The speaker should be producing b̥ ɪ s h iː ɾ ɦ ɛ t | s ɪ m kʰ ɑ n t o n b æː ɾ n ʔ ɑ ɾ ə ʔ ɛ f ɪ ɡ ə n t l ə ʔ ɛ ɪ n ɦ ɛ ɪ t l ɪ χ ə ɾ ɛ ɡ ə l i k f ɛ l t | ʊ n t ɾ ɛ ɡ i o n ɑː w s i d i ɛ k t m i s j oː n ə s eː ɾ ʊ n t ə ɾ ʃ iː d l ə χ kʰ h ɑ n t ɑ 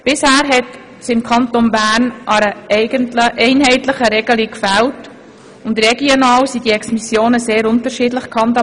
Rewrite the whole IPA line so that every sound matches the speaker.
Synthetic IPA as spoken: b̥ ɪ s h æː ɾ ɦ ɛ t | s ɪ m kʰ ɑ n t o n b æː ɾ n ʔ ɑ ɾ ə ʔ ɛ ɪ ɡ ə n t l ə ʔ ɛ ɪ n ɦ ɛ ɪ t l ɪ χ ə ɾ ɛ ɡ ə l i k f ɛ l t | ʊ n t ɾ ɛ ɡ i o n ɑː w s i d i ɛ k s m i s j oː n ə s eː ɾ ʊ n t ə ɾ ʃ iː d l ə χ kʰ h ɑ n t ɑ